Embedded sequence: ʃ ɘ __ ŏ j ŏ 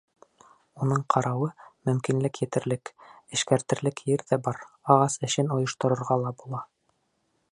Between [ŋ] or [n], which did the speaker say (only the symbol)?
n